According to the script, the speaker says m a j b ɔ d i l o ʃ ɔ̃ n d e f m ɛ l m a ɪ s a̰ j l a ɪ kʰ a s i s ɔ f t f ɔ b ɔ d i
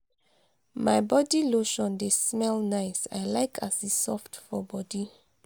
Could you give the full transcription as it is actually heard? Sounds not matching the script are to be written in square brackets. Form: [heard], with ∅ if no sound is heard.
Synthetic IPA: m a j b ɔ d i l o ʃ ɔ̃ n d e [s] m ɛ l [n] a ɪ s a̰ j l a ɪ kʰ a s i s ɔ f t f ɔ b ɔ d i